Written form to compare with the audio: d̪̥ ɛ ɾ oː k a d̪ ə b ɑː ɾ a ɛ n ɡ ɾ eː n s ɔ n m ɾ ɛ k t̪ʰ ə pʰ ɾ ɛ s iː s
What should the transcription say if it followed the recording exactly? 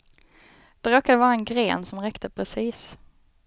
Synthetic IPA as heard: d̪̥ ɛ ɾ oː k a d̪ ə v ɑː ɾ a ɛ n ɡ ɾ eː n s ɔ m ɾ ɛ k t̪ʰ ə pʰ ɾ ɛ s iː s